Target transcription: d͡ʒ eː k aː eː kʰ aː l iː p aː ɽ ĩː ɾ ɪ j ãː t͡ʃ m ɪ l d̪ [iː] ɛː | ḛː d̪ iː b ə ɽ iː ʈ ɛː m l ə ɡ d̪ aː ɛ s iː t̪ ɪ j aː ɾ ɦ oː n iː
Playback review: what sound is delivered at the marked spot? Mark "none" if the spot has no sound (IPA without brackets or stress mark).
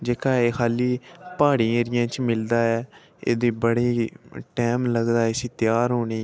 aː